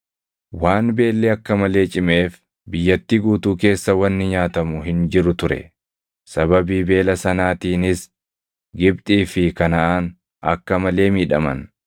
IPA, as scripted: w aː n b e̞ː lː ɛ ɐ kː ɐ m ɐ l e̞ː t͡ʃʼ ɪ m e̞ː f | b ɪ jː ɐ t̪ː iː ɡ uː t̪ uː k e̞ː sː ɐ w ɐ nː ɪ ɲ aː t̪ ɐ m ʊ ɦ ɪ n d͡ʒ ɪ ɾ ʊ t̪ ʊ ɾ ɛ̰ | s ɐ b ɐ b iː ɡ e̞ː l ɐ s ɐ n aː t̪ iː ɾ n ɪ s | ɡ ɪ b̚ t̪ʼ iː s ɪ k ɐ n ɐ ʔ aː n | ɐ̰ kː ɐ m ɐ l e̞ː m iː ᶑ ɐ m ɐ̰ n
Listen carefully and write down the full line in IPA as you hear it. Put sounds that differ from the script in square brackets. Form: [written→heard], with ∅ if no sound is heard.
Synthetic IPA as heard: w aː n b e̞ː lː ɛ ɐ kː ɐ m ɐ l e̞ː t͡ʃʼ ɪ m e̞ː f | b ɪ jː ɐ t̪ː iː ɡ uː t̪ uː k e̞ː sː ɐ w ɐ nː ɪ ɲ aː t̪ ɐ m ʊ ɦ ɪ n d͡ʒ ɪ ɾ ʊ t̪ ʊ ɾ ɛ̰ | s ɐ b ɐ b iː [ɡ→b] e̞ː l ɐ s ɐ n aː t̪ iː [ɾ→∅] n ɪ s | ɡ ɪ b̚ t̪ʼ iː [s→f] ɪ k ɐ n ɐ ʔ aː n | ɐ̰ kː ɐ m ɐ l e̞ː m iː ᶑ ɐ m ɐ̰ n